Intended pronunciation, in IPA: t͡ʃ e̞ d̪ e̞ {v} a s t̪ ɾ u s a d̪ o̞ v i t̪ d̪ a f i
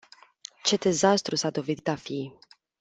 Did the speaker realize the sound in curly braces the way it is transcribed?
no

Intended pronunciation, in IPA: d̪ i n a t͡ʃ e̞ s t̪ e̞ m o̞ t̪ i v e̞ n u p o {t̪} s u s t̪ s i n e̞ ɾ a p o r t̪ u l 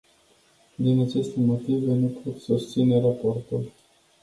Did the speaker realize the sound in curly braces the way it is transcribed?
yes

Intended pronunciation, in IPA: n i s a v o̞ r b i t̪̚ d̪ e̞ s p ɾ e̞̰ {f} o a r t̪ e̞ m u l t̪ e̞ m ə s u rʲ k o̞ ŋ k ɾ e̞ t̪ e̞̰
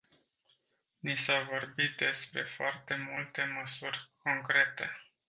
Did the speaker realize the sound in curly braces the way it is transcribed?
yes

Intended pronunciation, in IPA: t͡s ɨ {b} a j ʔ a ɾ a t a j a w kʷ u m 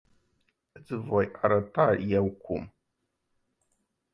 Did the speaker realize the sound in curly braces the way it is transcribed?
no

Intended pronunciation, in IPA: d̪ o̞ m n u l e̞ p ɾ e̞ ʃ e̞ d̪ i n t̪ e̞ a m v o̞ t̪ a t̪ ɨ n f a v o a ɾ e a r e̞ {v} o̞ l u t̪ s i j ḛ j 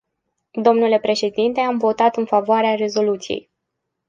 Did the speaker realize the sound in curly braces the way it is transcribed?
no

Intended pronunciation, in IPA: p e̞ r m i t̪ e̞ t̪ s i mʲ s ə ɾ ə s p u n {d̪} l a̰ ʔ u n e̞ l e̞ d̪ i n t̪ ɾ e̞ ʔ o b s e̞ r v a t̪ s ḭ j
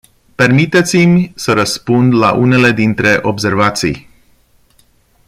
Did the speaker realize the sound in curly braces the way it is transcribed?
yes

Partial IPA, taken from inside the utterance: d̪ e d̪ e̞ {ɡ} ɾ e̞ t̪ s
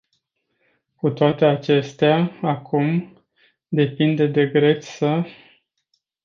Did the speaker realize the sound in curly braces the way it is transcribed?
yes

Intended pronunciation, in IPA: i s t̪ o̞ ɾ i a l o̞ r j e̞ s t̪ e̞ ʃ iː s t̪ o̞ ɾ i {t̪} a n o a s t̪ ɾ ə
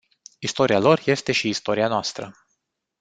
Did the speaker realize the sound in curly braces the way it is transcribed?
no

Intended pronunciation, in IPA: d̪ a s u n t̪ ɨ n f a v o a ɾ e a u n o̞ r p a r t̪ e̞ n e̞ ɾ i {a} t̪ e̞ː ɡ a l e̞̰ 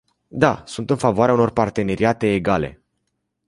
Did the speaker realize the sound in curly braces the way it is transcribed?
yes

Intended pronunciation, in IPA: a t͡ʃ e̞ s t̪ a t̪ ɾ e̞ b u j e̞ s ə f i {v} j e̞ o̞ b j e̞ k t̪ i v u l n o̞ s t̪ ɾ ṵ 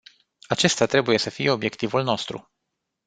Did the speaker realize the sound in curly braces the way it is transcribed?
no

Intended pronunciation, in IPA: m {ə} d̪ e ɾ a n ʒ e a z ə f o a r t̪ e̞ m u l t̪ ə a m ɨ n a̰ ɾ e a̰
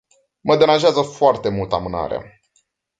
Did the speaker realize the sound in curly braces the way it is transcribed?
yes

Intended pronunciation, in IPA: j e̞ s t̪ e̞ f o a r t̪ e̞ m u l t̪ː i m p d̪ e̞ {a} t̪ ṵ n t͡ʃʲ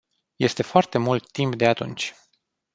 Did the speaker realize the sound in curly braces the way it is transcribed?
yes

